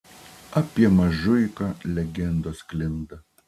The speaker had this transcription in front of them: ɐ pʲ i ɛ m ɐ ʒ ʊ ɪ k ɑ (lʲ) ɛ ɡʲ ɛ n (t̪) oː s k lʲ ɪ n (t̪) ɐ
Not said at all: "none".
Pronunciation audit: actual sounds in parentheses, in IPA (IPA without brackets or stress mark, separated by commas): lʲ, d̪, d̪